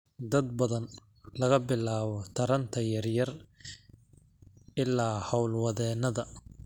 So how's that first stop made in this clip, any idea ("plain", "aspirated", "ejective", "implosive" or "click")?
plain